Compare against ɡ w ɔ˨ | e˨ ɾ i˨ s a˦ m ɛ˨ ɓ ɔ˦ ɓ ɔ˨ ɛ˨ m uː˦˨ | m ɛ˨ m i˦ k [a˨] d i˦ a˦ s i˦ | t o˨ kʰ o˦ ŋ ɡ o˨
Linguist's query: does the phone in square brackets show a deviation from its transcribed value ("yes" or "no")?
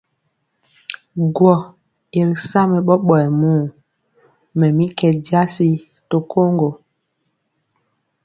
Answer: yes